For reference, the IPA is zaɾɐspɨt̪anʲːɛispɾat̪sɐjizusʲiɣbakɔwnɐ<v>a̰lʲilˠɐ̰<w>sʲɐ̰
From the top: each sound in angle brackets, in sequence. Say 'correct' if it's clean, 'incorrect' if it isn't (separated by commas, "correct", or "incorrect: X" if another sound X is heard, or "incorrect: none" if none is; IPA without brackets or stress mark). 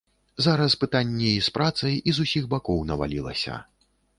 correct, incorrect: none